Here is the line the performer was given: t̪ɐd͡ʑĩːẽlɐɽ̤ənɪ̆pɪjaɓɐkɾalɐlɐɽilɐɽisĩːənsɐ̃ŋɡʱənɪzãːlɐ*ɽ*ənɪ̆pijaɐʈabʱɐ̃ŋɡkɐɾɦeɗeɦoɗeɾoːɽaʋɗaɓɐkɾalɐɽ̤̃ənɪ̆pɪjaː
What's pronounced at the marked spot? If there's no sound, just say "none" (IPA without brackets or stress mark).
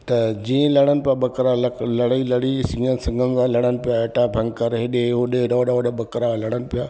ɽ